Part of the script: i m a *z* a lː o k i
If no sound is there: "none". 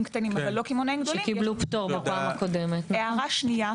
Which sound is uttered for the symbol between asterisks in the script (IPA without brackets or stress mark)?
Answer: v